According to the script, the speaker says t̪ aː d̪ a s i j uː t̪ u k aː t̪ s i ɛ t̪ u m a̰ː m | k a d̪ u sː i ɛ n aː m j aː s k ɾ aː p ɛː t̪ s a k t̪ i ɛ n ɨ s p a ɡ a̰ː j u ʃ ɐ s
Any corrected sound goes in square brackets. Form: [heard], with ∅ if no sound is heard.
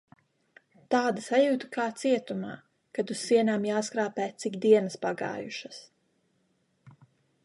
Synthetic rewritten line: t̪ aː d̪ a s [a] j uː t̪ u k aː t̪ s i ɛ t̪ u m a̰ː [∅] | k a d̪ u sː i ɛ n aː m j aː s k ɾ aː p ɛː t̪ s [i] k [d̪] i ɛ n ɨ s p a ɡ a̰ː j u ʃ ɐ s